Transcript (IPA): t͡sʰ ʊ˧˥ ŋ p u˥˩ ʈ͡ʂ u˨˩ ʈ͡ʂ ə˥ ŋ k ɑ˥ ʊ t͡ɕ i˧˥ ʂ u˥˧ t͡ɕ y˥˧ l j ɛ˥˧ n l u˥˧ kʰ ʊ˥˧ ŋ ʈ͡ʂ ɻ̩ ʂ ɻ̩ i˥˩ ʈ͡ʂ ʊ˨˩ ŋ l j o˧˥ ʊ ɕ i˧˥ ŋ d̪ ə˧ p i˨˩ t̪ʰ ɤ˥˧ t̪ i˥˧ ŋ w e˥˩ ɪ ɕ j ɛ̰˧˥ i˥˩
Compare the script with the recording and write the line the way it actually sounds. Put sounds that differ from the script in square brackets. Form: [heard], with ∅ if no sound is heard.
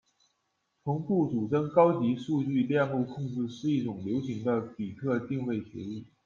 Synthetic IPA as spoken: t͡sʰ ʊ˧˥ ŋ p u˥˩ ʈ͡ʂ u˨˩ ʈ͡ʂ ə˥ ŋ k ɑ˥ ʊ t͡ɕ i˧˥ ʂ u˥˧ t͡ɕ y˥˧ l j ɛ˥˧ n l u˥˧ kʰ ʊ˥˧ ŋ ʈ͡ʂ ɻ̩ ʂ ɻ̩ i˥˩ ʈ͡ʂ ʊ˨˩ ŋ l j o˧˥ ʊ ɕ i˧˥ ŋ d̪ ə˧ p i˨˩ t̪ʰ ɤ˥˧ t̪ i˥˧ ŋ w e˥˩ ɪ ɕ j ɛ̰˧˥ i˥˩